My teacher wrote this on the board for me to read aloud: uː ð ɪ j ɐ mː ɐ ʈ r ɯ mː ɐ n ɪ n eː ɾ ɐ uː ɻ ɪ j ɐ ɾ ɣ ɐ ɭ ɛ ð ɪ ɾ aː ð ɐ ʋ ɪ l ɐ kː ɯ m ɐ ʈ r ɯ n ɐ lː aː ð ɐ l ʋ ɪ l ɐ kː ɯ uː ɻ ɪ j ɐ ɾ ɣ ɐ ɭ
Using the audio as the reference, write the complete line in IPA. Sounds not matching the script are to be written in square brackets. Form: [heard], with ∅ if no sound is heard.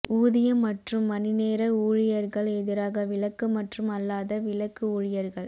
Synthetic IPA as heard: uː ð ɪ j ɐ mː ɐ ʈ r ɯ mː ɐ n ɪ n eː ɾ ɐ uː ɻ ɪ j ɐ ɾ ɣ ɐ ɭ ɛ ð ɪ ɾ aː [ɣ] ɐ ʋ ɪ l ɐ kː ɯ m ɐ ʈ r ɯ [m] ɐ lː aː ð ɐ [∅] ʋ ɪ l ɐ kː ɯ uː ɻ ɪ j ɐ ɾ ɣ ɐ ɭ

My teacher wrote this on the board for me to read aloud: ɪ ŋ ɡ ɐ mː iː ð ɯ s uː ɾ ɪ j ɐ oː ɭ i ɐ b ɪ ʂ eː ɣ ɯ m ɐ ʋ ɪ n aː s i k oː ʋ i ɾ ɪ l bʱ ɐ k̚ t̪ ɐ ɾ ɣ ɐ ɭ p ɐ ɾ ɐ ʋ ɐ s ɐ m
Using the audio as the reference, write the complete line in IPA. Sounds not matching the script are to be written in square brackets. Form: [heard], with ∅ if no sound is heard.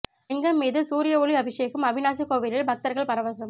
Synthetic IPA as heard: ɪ ŋ ɡ ɐ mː iː ð ɯ s uː ɾ ɪ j ɐ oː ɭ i ɐ b ɪ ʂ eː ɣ ɯ m ɐ ʋ ɪ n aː s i k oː ʋ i ɾ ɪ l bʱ ɐ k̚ t̪ ɐ ɾ ɣ ɐ ɭ p ɐ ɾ ɐ ʋ ɐ s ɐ m

